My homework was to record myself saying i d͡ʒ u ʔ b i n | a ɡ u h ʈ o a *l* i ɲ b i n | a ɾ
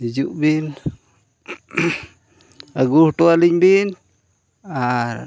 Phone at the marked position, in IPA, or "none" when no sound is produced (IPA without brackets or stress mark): l